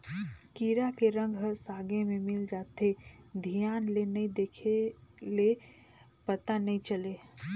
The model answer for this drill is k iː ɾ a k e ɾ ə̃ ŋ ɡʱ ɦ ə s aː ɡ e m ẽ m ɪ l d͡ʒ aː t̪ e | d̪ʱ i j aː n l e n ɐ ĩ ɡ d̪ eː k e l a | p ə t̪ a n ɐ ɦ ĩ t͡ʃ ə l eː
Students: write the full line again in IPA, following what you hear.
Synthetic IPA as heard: k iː ɾ a k e ɾ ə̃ ŋ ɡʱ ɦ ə s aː ɡ e m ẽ m ɪ l d͡ʒ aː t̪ e | d̪ʱ i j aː n l e n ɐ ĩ d̪ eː kʰ e l e | p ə t̪ a n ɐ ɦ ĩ t͡ʃ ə l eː